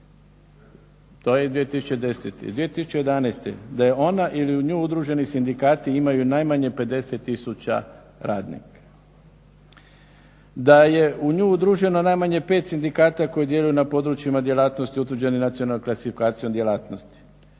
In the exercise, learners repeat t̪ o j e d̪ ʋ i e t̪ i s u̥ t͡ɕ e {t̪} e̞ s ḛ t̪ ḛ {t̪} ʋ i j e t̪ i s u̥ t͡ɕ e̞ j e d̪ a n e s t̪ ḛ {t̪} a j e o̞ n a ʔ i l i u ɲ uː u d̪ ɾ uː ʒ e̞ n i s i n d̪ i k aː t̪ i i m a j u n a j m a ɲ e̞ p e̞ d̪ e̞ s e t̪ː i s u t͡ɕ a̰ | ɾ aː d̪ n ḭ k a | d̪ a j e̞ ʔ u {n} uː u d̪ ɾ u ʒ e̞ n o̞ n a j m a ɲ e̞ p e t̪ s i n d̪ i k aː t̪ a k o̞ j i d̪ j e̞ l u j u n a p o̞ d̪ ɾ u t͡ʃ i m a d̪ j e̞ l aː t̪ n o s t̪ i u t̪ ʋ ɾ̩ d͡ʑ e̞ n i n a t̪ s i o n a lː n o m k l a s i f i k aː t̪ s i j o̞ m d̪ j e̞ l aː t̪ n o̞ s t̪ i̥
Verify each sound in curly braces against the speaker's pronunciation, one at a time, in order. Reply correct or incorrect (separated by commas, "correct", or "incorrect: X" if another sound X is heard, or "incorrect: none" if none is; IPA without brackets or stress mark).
incorrect: d̪, incorrect: d̪, incorrect: d̪, incorrect: ɲ